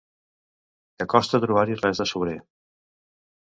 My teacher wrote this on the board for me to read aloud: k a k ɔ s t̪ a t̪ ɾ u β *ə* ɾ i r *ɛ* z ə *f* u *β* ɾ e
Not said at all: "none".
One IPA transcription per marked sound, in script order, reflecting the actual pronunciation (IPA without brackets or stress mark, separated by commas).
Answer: a, ɛ, s, β